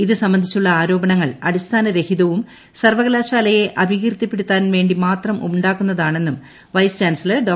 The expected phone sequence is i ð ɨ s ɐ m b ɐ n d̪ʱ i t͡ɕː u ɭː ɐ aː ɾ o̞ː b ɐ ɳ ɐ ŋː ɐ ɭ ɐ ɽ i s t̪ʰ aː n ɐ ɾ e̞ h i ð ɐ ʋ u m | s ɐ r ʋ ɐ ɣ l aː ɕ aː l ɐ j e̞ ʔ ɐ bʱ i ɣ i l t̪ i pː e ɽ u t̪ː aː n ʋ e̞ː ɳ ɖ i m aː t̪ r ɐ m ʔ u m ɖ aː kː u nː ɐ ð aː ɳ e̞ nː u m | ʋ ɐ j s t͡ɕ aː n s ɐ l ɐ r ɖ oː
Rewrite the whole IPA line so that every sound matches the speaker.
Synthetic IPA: i ð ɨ s ɐ m b ɐ n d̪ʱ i t͡ɕː u ɭː ɐ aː ɾ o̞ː b ɐ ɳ ɐ ŋː ɐ ɭ ɐ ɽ i s t̪ʰ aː n ɐ ɾ e̞ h i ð ɐ ʋ u m | s ɐ r ʋ ɐ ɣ l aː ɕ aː l ɐ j e̞ ʔ ɐ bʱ i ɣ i r t̪ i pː e ɽ u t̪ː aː n ʋ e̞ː ɳ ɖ i m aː t̪ r ɐ m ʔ u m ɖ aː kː u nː ɐ ð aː ɳ e̞ nː u m | ʋ ɐ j s t͡ɕ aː n s ɐ l ɐ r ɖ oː